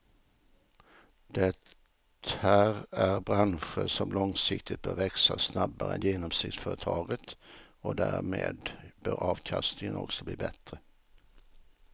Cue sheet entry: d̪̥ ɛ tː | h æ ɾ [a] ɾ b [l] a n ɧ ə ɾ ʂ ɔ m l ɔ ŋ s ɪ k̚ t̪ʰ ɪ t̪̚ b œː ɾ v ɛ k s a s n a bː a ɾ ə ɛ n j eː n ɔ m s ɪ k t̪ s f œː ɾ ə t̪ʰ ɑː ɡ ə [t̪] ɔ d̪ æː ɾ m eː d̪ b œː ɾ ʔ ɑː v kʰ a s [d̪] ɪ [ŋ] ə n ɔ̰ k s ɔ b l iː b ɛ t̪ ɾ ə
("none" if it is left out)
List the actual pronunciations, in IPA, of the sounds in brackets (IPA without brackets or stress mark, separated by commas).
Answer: æ, ɾ, t̪, t̪, ŋ